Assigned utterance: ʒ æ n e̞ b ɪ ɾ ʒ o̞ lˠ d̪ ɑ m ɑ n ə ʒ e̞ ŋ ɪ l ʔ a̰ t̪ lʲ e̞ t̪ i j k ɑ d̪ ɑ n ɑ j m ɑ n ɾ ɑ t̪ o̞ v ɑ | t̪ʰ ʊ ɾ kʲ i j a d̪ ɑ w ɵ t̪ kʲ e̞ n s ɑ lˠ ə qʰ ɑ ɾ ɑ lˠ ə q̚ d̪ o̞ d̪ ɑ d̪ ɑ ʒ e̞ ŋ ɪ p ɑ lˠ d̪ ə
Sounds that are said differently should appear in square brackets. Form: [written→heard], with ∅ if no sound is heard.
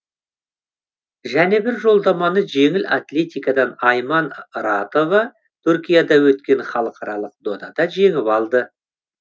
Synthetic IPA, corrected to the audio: ʒ æ n e̞ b ɪ ɾ ʒ o̞ lˠ d̪ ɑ m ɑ n ə ʒ e̞ ŋ ɪ l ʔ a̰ t̪ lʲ e̞ t̪ i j k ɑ d̪ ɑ n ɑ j m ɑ n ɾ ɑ t̪ o̞ v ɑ | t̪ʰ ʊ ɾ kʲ i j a d̪ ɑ w ɵ t̪ kʲ e̞ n [s→χ] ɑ lˠ ə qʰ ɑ ɾ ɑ lˠ ə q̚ d̪ o̞ d̪ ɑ d̪ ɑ ʒ e̞ ŋ ɪ p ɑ lˠ d̪ ə